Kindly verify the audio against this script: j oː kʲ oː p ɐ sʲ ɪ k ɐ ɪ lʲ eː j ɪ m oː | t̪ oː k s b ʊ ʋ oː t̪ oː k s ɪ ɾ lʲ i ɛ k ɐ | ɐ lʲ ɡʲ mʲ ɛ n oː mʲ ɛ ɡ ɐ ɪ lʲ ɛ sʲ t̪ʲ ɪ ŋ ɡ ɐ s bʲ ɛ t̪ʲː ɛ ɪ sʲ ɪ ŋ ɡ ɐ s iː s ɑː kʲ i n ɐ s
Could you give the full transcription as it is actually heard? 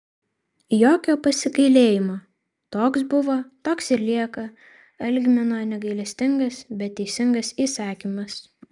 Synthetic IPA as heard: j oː kʲ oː p ɐ sʲ ɪ k ɐ ɪ lʲ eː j ɪ m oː | t̪ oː k s b ʊ ʋ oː t̪ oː k s ɪ ɾ lʲ i ɛ k ɐ | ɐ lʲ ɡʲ mʲ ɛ n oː nʲ ɛ ɡ ɐ ɪ lʲ ɛ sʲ t̪ʲ ɪ ŋ ɡ ɐ s bʲ ɛ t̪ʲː ɛ ɪ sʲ ɪ ŋ ɡ ɐ s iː s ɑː kʲ i m ɐ s